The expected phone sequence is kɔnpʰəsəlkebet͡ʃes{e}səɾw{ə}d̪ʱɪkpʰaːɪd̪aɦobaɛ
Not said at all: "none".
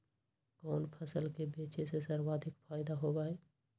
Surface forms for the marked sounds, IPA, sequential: e, a

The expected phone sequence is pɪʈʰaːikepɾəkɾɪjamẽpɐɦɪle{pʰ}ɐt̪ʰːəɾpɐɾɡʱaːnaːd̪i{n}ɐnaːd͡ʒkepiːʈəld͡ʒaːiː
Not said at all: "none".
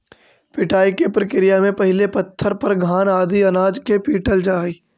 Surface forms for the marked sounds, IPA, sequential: p, none

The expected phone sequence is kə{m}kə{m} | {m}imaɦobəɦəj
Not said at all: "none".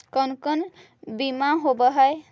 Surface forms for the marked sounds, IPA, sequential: n, n, b

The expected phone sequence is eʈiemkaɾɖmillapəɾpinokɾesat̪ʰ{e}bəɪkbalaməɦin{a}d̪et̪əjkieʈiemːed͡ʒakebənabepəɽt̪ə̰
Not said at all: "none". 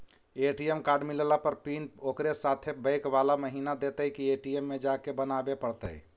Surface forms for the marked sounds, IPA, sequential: e, a

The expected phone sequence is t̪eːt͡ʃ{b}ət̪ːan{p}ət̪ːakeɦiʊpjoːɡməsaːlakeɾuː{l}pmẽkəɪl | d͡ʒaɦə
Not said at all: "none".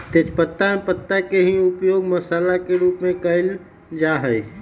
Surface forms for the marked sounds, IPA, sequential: p, p, none

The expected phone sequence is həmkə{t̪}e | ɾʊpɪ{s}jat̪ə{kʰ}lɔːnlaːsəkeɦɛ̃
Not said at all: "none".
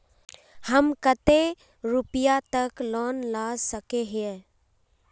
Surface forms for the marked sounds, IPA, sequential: t̪, none, k

